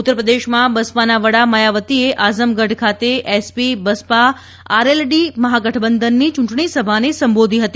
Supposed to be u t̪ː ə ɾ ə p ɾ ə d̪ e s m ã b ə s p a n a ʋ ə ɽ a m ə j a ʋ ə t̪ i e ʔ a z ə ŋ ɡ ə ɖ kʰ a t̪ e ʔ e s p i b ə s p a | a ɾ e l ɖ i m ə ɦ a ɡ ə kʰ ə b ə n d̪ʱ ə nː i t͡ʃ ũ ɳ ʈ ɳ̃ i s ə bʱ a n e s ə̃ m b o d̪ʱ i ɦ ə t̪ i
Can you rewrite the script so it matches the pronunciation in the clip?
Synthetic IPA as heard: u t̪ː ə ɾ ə p ɾ ə d̪ e ʃ m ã b ə s p a n a ʋ ə ɽ a m ə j a ʋ ə t̪ i e ʔ a z ə m ɡ ə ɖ kʰ a t̪ e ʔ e s p i b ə s p a | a ɾ e l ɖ i m ə ɦ a ɡ ə ʈʰ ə b ə n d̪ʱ ə nː i t͡ʃ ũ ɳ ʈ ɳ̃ i s ə bʱ a n e s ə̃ m b o d̪ʱ i ɦ ə t̪ i